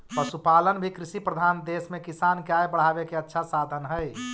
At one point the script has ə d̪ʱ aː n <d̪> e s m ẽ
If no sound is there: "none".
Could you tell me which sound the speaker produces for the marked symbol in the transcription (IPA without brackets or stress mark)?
d̪